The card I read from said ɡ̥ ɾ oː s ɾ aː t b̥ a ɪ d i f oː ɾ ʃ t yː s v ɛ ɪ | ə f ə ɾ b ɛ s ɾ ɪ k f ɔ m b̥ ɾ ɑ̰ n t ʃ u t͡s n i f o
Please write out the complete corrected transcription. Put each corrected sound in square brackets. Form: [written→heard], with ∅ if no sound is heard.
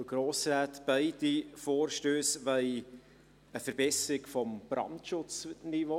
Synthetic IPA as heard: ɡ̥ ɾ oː s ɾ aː t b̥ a ɪ d i f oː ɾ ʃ t [yː→øː] s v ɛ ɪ | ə f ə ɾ b ɛ s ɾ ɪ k f ɔ m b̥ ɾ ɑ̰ n t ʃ [u→ʊ] t͡s n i [f→v] o